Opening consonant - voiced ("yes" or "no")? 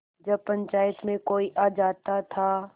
yes